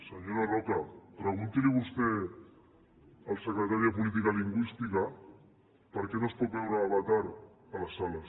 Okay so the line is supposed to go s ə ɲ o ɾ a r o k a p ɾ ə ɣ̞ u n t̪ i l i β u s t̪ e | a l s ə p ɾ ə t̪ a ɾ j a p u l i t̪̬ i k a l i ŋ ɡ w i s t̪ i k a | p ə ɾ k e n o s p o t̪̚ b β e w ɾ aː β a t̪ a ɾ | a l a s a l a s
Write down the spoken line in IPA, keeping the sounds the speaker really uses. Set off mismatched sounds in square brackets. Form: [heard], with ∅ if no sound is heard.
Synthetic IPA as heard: s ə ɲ o ɾ a r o k a p ɾ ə ɣ̞ u n t̪ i l i β u s t̪ e | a l s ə [k] ɾ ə t̪ a ɾ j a p u l i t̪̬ i k a l i ŋ ɡ w i s t̪ i k a | p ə ɾ k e n o s p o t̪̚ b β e w ɾ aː β a t̪ a ɾ | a l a s a l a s